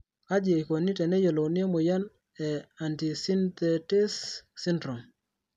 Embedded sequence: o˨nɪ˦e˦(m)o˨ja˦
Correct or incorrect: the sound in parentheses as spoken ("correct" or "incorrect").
correct